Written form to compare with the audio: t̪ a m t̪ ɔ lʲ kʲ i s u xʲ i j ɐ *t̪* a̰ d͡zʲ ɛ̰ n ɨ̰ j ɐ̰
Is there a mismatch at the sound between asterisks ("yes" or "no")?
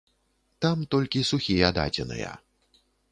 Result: yes